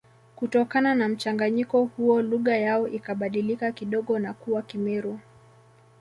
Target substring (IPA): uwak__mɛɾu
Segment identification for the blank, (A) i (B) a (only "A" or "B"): A